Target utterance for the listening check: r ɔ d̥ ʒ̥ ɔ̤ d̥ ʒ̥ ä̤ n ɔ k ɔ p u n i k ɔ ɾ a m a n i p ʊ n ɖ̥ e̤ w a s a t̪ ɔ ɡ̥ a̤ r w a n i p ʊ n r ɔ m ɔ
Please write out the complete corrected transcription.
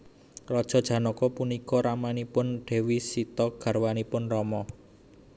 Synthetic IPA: r ɔ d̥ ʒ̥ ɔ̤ d̥ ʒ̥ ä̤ n ɔ k ɔ p u n i k ɔ ɾ a m a n i p ʊ n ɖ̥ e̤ w i s i t̪ ɔ ɡ̥ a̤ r w a n i p ʊ n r ɔ m ɔ